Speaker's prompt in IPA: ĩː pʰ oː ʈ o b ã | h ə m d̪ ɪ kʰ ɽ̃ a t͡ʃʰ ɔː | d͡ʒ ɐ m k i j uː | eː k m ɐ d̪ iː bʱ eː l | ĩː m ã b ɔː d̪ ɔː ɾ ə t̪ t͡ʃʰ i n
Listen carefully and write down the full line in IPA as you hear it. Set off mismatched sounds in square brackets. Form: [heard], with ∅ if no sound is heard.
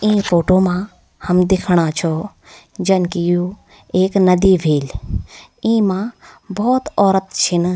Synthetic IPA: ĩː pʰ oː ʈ o [m] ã | h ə m d̪ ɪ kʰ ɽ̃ a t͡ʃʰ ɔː | d͡ʒ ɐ [n] k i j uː | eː k [n] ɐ d̪ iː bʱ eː l | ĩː m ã b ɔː [t̪] ɔː ɾ ə t̪ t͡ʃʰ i n